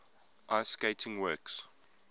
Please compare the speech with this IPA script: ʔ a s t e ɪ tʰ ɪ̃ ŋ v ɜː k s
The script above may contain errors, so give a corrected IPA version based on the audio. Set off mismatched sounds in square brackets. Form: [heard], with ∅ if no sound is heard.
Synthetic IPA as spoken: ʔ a s [k] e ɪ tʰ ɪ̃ ŋ [w] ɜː k s